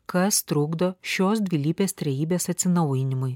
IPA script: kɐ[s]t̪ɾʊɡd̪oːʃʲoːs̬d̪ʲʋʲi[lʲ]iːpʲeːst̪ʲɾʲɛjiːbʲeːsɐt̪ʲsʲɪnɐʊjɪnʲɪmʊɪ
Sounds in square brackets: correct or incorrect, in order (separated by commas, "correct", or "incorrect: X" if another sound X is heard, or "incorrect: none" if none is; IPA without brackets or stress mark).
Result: correct, correct